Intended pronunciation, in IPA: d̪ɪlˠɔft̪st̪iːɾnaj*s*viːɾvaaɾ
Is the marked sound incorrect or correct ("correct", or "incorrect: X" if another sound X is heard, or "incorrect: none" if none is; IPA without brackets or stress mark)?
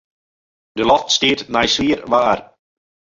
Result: correct